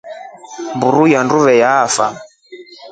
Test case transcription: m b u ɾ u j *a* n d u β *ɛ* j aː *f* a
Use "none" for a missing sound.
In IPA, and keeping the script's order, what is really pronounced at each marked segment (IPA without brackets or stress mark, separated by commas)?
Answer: a, ɛ, f